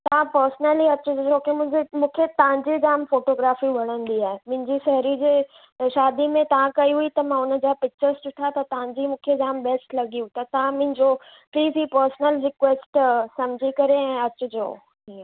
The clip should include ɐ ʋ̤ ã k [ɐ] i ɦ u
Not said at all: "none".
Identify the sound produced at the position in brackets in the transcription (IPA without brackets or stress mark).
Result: ɐ